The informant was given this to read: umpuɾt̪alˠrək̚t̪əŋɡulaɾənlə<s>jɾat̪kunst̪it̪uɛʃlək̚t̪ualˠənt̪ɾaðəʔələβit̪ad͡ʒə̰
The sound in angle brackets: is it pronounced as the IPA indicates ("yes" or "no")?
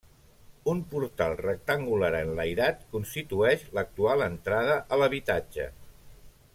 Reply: no